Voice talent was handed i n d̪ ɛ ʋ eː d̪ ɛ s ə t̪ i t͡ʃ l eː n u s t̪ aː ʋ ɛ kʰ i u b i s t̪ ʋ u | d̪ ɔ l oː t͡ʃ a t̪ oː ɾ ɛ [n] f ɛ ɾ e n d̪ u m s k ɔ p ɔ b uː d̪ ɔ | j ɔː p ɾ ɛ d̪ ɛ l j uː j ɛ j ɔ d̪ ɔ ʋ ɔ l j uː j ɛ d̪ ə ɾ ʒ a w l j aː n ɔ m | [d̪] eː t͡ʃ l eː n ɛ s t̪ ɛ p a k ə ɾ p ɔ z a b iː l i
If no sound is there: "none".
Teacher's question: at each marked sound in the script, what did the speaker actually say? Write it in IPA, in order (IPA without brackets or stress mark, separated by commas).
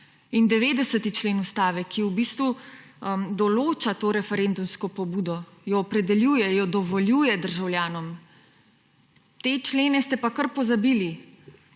none, t̪